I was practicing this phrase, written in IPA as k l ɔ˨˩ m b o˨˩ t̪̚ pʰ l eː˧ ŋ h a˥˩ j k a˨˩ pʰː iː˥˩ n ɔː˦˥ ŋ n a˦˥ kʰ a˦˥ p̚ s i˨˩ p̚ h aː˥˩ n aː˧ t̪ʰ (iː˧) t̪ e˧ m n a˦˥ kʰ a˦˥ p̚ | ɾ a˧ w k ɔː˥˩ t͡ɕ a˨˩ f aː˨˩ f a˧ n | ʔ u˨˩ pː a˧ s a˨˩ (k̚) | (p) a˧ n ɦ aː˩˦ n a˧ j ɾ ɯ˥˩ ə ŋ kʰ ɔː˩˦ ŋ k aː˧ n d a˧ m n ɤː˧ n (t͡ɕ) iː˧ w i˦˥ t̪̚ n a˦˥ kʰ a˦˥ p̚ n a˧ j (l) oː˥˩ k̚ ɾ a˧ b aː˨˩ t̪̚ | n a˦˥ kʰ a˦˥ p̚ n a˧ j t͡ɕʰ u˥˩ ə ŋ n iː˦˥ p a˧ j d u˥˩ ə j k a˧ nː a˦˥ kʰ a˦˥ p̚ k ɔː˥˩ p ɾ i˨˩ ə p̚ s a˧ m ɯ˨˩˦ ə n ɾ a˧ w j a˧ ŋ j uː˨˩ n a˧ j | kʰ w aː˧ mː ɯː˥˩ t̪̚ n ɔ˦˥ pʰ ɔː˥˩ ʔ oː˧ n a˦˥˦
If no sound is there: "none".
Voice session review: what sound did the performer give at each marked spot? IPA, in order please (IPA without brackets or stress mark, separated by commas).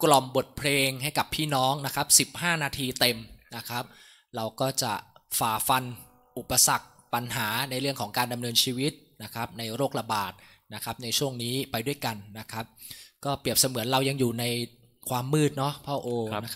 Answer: iː˧, k̚, p, t͡ɕʰ, ɾ